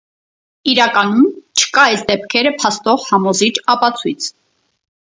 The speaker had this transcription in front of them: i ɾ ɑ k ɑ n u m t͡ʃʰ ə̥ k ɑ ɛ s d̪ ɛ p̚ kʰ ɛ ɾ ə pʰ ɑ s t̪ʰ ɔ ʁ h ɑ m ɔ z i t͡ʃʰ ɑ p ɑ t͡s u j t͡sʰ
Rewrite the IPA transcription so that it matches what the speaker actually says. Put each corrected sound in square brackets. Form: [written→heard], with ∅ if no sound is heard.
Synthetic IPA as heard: i ɾ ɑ k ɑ n u m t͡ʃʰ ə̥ k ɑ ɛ s d̪ ɛ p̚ kʰ ɛ ɾ ə pʰ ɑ s [t̪ʰ→t̪] ɔ ʁ h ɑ m ɔ z i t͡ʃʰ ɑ p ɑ [t͡s→t͡sʰ] u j t͡sʰ